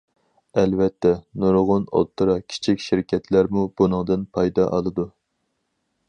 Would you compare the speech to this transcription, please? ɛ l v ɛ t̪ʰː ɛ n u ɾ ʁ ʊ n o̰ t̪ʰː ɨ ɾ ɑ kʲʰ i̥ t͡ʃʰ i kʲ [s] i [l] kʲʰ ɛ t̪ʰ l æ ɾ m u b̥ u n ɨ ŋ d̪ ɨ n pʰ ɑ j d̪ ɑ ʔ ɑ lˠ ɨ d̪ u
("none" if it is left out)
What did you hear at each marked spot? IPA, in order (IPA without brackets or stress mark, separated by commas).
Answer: ʃ, ɾ